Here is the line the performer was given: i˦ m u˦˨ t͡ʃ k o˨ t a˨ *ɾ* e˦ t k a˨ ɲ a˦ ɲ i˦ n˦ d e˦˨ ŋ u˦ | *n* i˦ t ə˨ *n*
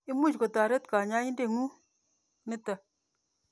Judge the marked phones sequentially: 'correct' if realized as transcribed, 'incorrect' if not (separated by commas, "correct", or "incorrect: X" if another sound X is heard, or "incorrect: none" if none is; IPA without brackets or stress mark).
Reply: correct, correct, incorrect: none